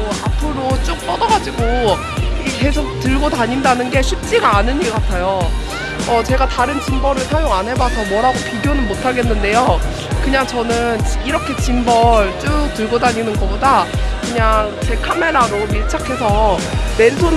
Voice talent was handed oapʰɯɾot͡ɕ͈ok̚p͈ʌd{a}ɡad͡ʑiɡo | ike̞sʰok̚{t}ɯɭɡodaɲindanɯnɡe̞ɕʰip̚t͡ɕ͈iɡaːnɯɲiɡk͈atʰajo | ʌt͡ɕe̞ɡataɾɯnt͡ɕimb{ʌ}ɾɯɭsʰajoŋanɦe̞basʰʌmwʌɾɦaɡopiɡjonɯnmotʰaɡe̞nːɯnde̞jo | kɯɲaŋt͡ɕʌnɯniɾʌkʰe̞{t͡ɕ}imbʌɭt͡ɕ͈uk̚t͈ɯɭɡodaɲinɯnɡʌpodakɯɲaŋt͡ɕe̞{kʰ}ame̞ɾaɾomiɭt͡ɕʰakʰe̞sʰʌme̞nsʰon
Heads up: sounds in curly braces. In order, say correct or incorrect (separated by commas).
incorrect, correct, correct, correct, correct